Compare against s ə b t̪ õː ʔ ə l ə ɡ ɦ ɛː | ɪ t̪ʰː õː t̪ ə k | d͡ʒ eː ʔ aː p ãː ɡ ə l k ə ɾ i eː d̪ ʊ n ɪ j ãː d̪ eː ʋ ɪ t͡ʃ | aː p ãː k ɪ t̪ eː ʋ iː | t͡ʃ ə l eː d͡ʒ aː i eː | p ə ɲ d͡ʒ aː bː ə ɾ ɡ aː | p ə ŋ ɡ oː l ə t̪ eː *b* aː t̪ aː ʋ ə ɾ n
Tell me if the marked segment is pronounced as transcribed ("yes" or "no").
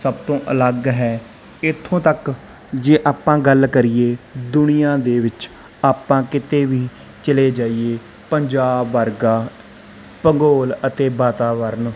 yes